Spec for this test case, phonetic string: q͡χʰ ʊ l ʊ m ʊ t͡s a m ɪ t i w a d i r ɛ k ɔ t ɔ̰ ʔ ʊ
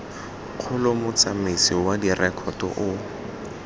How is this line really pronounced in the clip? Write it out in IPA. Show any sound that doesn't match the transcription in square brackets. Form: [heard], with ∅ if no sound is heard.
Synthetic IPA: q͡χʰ ʊ l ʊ m ʊ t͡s a m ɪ [s] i w a d i r ɛ [kʰ] ɔ t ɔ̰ ʔ ʊ

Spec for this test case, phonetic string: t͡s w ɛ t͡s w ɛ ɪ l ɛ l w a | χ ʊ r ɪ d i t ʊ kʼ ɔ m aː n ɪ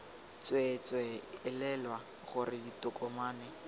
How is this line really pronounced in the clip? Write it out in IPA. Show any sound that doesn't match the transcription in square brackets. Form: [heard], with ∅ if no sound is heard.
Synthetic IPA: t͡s w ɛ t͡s w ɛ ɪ l ɛ l w a | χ ʊ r ɪ d i t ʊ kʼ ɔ m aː n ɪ

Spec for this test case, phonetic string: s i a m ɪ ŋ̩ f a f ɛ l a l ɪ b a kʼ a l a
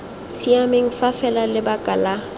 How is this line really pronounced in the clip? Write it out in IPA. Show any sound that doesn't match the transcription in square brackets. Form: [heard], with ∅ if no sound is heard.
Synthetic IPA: s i a m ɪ ŋ̩ f a f ɛ l a l ɪ b a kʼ a l a

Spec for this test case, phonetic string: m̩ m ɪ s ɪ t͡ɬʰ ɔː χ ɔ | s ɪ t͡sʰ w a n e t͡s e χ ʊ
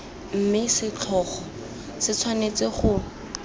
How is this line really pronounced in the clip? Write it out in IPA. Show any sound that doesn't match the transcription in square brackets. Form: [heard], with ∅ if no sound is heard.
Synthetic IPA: m̩ m ɪ s ɪ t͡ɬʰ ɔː χ ɔ | s ɪ t͡sʰ w a n e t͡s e χ ʊ

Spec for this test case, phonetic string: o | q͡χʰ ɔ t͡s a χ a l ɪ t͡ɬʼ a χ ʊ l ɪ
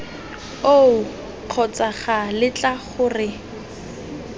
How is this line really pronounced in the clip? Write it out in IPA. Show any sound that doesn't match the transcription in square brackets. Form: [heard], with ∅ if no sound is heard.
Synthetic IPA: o | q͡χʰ ɔ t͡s a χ a l ɪ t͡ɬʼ a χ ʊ [r] ɪ

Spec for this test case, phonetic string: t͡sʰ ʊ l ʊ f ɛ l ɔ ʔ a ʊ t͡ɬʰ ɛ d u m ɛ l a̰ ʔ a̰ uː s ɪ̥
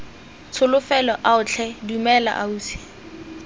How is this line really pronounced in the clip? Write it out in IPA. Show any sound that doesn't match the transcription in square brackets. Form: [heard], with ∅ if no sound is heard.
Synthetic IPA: t͡sʰ ʊ l ʊ f ɛ l ɔ ʔ a ʊ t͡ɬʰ ɛ d u m ɛ l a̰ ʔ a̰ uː s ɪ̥

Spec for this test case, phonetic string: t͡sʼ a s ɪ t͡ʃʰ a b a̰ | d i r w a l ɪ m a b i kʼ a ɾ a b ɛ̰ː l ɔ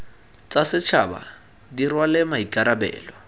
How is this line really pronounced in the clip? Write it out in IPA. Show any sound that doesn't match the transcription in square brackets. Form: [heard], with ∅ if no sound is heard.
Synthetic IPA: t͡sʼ a s ɪ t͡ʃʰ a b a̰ | d i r w a l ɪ m a [∅] i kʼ a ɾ a b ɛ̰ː l ɔ

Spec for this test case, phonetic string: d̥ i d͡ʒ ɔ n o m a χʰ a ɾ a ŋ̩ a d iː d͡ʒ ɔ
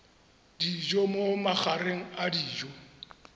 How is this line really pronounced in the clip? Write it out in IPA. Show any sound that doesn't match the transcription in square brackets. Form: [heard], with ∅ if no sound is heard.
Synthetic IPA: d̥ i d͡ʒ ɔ [m] o m a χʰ a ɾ [e] ŋ̩ a d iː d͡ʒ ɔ

